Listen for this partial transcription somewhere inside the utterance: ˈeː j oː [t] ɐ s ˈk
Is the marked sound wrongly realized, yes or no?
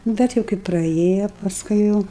yes